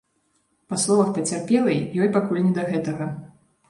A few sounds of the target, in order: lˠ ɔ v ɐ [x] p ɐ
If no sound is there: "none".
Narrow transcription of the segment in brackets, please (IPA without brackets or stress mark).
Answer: x